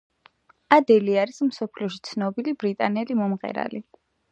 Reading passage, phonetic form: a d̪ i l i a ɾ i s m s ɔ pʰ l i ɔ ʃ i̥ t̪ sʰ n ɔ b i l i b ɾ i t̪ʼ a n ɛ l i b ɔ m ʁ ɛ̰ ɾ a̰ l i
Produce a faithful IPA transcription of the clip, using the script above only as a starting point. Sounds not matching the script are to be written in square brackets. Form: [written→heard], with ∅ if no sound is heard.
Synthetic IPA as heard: a d̪ [i→ɛ] l i a ɾ i s m s ɔ pʰ l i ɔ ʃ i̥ t̪ sʰ n ɔ b i l i b ɾ i t̪ʼ a n ɛ l i [b→m] ɔ m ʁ ɛ̰ ɾ a̰ l i